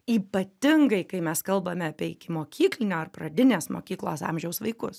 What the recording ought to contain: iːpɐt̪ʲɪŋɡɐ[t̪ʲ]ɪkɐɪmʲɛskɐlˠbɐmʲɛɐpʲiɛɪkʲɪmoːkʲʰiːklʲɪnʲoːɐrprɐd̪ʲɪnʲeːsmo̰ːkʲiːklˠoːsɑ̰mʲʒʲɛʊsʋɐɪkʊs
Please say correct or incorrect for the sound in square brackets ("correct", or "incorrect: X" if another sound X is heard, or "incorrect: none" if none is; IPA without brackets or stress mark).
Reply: incorrect: none